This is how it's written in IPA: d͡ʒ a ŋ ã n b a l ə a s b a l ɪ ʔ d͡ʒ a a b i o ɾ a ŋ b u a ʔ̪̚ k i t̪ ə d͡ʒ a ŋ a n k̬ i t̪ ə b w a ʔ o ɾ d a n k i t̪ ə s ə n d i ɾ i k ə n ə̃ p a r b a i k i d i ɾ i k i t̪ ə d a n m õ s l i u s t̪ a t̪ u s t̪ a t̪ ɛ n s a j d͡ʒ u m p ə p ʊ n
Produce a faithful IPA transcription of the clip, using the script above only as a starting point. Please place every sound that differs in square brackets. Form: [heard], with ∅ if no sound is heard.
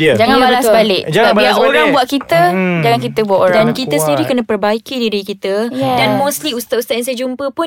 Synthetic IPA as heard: d͡ʒ a ŋ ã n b a l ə a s b a l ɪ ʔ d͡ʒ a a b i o ɾ a ŋ b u a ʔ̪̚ k i t̪ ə d͡ʒ a ŋ a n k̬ i t̪ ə b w a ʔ o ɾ d a n k i t̪ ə s ə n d i ɾ i k ə n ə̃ p [ə] r b a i k i d i ɾ i k i t̪ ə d a n m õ s l i u s t̪ a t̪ u s t̪ a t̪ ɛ n s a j d͡ʒ u m p ə p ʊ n